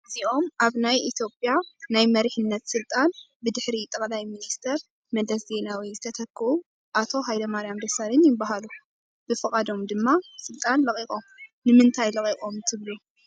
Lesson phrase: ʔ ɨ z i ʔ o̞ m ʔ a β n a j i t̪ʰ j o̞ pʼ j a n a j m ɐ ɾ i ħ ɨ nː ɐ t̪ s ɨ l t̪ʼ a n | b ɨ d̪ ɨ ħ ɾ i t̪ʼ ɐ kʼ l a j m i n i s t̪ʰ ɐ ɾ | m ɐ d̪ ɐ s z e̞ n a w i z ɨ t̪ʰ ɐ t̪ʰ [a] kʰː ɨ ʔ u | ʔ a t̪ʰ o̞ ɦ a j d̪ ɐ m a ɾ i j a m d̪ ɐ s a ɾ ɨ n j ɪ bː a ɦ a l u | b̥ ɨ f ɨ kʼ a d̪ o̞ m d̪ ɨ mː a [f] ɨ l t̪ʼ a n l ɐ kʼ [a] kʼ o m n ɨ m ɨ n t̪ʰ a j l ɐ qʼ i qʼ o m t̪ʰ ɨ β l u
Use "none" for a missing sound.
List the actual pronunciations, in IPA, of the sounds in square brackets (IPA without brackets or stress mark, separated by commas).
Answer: ɐ, s, i